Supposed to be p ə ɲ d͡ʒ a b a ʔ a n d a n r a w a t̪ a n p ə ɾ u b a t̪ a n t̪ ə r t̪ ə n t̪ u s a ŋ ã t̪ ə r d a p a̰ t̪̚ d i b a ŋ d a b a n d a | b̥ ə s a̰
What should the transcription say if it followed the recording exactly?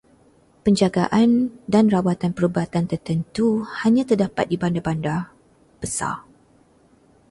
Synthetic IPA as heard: p ə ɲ d͡ʒ a ɡ a ʔ a n d a n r a w a t̪ a n p ə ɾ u b a t̪ a n t̪ ə r t̪ ə n t̪ u h a ɲ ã t̪ ə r d a p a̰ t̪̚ d i b a n d a b a n d a | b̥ ə s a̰

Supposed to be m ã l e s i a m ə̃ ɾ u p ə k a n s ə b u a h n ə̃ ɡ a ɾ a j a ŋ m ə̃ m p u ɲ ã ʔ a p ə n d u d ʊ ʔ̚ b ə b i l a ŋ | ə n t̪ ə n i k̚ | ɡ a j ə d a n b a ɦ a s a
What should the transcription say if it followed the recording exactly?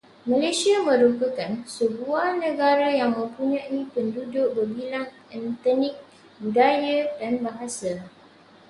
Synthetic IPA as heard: m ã l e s i a m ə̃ ɾ u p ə k a n s ə b u a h n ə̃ ɡ a ɾ a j a ŋ m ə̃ m p u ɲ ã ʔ i p ə n d u d ʊ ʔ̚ b ə b i l a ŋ | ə n t̪ ə n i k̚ | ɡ a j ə d a n b a ɦ a s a

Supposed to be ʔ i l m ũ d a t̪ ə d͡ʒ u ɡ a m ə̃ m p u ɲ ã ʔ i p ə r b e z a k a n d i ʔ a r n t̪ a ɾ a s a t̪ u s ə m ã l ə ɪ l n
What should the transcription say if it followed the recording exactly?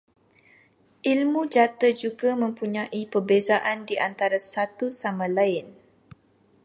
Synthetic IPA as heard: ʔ i l m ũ d͡ʒ a t̪ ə d͡ʒ u ɡ a m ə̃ m p u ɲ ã ʔ i p ə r b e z a ʔ a n d i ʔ a n t̪ a ɾ a s a t̪ u s a m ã l a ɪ n

